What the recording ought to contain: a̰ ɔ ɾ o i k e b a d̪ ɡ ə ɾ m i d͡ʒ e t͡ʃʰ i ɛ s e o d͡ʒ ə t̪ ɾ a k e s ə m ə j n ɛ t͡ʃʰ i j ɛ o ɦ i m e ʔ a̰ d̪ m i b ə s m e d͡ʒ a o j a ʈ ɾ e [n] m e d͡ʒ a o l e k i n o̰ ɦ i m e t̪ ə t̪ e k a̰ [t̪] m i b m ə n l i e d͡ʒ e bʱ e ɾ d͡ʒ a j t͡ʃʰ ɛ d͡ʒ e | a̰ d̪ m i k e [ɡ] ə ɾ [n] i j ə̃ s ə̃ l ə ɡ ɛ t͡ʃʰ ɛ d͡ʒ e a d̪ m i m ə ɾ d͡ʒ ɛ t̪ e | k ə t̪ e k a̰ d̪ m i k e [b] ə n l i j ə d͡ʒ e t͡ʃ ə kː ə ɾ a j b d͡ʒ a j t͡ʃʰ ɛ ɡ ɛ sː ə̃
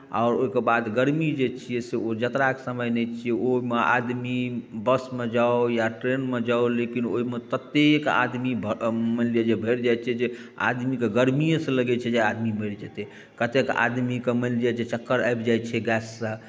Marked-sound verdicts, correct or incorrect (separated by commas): correct, incorrect, correct, incorrect, incorrect